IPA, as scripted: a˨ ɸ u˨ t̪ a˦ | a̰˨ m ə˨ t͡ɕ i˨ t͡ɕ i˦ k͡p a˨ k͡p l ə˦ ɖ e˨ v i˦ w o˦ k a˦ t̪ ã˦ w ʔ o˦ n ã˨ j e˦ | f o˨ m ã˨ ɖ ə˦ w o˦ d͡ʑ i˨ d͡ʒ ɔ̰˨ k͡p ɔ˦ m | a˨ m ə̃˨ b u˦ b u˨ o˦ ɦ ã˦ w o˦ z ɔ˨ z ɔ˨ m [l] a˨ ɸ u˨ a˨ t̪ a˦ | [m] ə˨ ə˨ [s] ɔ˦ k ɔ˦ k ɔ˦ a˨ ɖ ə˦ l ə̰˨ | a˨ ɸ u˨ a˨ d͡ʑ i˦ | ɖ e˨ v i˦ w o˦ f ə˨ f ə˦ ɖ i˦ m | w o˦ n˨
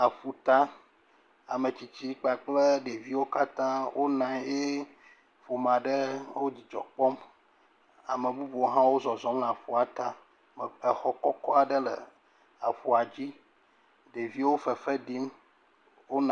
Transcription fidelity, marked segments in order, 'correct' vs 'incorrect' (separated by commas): correct, correct, incorrect